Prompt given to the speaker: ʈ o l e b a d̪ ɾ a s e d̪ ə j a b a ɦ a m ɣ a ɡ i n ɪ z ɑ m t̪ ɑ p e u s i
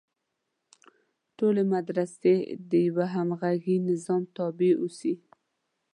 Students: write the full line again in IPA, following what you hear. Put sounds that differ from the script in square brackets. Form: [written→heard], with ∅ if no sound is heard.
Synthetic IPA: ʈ o l e [b→m] a d̪ ɾ a s e d̪ ə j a [b→w] a ɦ a m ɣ a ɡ i n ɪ z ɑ m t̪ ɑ [p→b] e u s i